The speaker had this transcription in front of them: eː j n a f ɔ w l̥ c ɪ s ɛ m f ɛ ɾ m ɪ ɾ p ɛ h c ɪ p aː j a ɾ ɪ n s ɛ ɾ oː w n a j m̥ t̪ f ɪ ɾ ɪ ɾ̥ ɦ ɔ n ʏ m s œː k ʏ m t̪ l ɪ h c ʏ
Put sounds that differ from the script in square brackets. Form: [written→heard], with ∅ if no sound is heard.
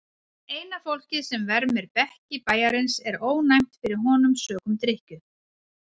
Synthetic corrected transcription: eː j n a f [ɔ→o] w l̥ c ɪ s ɛ m [f→v] ɛ ɾ m ɪ ɾ p ɛ h c ɪ p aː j a ɾ ɪ n s ɛ ɾ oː w n a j m̥ t̪ f ɪ ɾ ɪ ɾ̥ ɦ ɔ n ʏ m s œː k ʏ m t̪ [l→ɾ] ɪ h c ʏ